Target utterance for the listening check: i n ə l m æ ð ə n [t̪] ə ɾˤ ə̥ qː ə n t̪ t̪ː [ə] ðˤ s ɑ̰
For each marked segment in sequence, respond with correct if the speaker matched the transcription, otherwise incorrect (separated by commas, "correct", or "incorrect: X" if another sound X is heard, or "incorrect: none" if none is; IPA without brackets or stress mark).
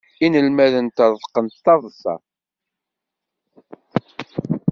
correct, incorrect: ɑ